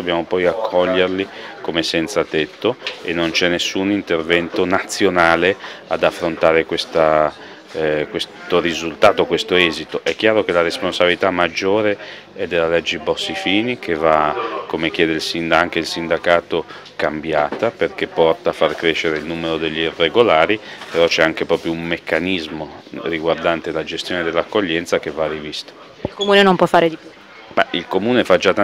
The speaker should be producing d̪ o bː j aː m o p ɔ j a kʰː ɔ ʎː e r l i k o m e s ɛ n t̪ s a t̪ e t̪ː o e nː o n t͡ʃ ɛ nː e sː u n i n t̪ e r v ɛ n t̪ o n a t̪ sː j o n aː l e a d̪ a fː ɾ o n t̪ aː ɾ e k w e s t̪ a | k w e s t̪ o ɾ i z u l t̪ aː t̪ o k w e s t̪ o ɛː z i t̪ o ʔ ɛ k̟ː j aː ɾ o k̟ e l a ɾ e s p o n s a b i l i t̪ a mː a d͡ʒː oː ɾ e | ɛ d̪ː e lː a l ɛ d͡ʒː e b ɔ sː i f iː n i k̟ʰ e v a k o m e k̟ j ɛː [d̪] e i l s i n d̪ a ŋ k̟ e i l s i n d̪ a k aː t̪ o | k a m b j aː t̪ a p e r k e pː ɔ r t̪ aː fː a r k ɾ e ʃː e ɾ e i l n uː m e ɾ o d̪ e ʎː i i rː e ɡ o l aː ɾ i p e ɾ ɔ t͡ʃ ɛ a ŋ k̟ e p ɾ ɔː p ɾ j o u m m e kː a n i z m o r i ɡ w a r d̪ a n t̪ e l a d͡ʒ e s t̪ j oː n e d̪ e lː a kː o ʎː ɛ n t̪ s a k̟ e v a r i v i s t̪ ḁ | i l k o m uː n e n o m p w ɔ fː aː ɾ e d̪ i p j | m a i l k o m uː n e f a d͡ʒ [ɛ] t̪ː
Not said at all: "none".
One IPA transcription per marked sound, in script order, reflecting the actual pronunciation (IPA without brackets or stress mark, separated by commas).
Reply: d̪, a